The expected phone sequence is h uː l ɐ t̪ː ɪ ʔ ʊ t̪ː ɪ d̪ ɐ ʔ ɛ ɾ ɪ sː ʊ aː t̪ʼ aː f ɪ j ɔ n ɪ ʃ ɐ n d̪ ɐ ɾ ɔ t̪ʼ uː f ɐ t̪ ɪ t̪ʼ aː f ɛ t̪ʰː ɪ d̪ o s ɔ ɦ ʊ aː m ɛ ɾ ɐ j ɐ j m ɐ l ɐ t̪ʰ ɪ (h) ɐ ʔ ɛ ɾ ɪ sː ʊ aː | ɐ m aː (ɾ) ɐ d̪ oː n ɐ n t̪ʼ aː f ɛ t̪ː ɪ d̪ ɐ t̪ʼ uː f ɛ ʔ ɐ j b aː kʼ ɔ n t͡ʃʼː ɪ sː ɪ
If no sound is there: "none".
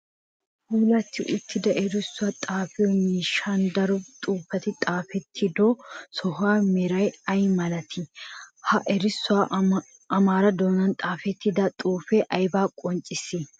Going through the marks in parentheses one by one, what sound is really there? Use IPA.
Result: h, ɾ

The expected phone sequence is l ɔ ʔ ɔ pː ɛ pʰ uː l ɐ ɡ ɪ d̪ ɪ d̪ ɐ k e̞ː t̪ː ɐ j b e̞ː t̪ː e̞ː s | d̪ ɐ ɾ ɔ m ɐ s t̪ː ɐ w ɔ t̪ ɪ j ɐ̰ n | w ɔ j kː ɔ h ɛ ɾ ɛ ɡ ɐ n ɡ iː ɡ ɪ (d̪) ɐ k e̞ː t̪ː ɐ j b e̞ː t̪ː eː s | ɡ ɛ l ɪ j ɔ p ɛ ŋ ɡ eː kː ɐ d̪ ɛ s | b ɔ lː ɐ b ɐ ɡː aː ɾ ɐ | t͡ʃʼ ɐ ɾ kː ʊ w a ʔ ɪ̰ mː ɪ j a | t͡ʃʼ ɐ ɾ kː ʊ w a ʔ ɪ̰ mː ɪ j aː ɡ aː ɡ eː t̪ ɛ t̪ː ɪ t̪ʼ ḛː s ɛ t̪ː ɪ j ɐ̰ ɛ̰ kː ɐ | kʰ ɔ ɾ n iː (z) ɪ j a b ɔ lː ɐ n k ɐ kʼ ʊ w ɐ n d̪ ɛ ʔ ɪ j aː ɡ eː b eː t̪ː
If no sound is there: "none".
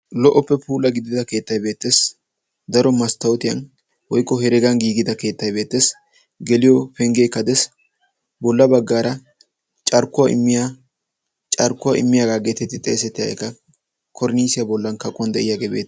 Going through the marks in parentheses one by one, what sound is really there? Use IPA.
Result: d̪, s

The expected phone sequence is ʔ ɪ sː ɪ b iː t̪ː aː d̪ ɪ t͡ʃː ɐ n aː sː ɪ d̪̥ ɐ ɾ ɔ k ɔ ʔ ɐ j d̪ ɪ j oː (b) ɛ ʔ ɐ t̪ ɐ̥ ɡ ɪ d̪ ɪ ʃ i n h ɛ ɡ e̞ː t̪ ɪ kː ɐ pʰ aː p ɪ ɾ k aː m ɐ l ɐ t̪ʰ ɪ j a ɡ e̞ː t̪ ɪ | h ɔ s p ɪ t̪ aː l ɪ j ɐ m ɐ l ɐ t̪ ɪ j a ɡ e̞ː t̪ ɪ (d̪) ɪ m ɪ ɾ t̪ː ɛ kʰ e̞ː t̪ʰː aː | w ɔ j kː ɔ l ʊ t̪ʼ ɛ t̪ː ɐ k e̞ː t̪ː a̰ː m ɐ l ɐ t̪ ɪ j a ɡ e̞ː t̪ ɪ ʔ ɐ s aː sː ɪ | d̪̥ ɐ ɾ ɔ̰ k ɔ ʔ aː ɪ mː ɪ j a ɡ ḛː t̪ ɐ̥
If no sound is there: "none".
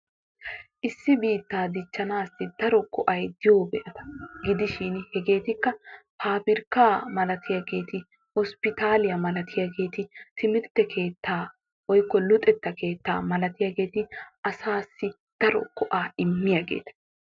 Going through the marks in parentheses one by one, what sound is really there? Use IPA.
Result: b, t̪

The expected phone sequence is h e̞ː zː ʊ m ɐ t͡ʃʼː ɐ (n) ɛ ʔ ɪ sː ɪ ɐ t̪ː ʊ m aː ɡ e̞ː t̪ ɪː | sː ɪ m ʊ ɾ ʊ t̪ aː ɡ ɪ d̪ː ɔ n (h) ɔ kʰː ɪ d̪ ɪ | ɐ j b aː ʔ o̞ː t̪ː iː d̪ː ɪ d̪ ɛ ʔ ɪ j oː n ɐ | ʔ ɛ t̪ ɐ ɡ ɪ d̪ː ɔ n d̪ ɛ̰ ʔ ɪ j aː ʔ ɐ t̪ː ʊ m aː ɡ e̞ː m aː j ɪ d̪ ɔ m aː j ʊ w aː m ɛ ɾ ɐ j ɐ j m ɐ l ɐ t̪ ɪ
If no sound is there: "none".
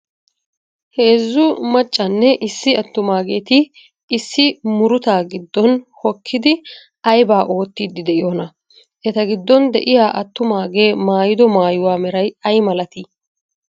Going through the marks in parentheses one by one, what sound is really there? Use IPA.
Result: nː, h

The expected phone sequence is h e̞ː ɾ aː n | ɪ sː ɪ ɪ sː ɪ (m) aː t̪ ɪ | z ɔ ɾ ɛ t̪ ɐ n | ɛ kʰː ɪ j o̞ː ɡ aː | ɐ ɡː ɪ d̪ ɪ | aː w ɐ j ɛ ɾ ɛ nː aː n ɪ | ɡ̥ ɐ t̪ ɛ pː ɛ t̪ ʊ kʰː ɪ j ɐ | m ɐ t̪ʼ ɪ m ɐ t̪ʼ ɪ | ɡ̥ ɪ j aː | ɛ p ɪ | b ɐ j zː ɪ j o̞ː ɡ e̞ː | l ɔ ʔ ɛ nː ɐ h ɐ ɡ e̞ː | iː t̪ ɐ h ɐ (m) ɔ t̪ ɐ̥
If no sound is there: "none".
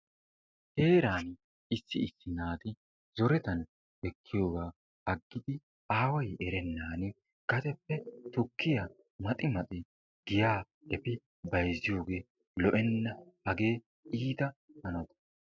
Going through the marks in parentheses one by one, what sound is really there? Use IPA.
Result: n, n

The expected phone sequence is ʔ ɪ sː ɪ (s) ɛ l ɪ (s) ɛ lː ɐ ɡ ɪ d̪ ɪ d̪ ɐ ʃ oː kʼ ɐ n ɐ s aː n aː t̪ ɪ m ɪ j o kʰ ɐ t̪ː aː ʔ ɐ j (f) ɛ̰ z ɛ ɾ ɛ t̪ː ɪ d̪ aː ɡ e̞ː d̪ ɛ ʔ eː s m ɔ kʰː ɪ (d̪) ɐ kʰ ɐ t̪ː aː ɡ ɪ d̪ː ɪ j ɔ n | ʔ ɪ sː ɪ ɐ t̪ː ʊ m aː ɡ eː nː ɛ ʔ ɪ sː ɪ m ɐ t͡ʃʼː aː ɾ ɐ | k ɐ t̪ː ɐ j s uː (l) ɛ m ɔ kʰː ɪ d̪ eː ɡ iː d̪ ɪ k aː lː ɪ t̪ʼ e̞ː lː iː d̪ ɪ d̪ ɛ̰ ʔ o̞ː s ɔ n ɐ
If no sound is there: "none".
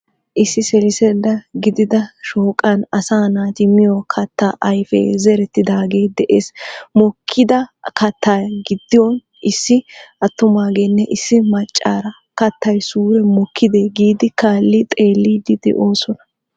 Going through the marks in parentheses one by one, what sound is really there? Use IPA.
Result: s, s, f, d̪, ɾ

